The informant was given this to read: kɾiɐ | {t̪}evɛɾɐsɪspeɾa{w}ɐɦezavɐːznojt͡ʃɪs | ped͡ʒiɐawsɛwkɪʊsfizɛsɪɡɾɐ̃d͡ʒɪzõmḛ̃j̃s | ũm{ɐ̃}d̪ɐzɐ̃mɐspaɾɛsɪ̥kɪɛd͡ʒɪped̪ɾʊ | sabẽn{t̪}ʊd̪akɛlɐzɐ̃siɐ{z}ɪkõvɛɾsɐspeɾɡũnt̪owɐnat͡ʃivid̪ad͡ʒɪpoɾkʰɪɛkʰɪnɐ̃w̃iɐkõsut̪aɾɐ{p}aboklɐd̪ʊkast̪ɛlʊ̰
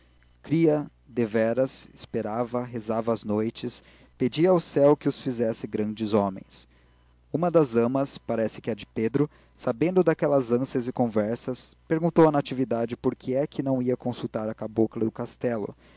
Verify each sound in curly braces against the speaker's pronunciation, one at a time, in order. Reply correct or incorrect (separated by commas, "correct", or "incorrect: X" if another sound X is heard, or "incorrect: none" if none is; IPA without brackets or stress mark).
incorrect: d̪, incorrect: v, incorrect: ɐ, incorrect: d̪, correct, incorrect: k